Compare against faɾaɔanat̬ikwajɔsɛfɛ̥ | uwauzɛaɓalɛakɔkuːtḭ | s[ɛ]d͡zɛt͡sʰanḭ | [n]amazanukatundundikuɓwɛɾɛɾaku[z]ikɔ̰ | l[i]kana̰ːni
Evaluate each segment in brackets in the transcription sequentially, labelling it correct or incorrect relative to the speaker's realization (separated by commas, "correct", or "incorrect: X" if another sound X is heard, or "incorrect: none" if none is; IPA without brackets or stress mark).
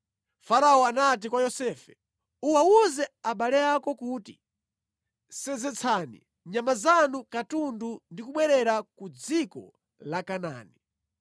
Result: correct, incorrect: ɲ, incorrect: d͡z, incorrect: a